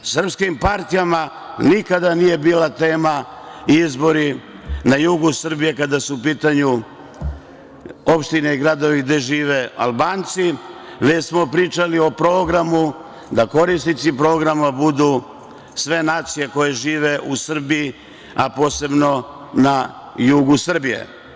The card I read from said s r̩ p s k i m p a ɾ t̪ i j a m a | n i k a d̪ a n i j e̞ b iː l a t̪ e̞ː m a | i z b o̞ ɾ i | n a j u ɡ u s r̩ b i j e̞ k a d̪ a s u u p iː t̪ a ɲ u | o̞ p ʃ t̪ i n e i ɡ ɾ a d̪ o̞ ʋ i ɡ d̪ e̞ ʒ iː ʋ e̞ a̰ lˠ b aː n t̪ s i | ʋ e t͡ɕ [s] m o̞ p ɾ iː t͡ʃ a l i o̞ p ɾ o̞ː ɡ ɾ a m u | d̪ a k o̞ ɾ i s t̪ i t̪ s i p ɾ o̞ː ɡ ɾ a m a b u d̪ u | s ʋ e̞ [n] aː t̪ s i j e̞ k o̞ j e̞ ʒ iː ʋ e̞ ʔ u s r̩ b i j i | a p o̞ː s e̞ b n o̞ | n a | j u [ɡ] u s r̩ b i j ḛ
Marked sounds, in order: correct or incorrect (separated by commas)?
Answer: correct, correct, correct